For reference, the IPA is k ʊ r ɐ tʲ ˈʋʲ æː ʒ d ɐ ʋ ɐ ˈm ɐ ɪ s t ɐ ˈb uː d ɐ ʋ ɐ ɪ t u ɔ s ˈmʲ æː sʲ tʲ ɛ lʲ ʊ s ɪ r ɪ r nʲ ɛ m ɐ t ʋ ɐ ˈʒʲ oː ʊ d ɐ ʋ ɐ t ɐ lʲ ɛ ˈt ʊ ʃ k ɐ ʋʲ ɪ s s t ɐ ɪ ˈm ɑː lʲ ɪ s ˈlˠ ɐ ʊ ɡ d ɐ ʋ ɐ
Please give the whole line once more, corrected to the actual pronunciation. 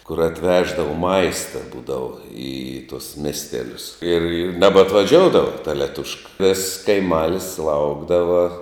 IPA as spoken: k ʊ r ɐ tʲ ˈʋʲ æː ʒ d ɐ ʋ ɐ ˈm ɐ ɪ s t ɐ ˈb uː d ɐ ʋ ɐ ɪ t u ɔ s ˈmʲ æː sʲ tʲ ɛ lʲ ʊ s ɪ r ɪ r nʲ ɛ b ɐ t ʋ ɐ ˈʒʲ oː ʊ d ɐ ʋ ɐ t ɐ lʲ ɛ ˈt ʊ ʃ k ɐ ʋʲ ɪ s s k ɐ ɪ ˈm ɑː lʲ ɪ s ˈlˠ ɐ ʊ ɡ d ɐ ʋ ɐ